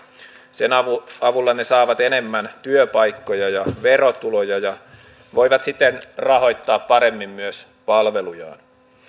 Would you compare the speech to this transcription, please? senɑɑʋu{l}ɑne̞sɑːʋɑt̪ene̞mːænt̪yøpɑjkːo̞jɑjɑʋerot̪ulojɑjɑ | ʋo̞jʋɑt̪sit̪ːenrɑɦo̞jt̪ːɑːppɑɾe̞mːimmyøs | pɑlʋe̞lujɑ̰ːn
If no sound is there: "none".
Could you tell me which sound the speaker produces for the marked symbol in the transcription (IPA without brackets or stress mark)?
lː